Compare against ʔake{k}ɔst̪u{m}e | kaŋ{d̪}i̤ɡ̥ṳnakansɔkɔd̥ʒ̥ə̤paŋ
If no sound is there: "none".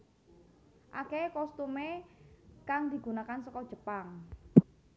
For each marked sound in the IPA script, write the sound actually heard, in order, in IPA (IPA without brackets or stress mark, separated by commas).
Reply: k, m, d̪